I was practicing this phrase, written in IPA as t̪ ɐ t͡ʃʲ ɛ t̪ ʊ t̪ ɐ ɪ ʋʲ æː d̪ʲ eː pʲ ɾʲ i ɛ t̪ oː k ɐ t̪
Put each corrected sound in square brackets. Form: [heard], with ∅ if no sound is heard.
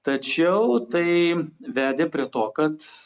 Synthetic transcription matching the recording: t̪ ɐ t͡ʃʲ ɛ [∅] ʊ t̪ ɐ ɪ ʋʲ æː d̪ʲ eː pʲ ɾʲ i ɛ t̪ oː k ɐ t̪